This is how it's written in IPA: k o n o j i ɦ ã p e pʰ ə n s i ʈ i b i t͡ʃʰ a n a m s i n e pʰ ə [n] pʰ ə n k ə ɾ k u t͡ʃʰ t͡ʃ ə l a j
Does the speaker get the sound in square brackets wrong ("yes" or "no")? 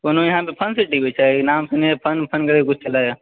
no